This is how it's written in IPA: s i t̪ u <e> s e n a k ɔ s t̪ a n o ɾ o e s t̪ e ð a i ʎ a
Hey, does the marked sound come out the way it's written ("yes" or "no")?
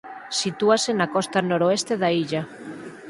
no